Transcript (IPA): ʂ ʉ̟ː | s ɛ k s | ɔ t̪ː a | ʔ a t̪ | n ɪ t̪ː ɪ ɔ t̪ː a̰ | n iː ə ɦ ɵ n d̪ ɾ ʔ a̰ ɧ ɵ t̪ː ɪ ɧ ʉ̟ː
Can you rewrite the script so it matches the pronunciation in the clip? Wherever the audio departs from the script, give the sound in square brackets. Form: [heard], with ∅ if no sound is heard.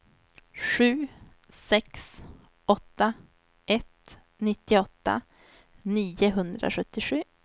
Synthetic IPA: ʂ ʉ̟ː | s ɛ k s | ɔ t̪ː a | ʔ [ɛ] t̪ | n ɪ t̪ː ɪ ɔ t̪ː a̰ | n iː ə ɦ ɵ n d̪ ɾ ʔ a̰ ɧ ɵ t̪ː ɪ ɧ ʉ̟ː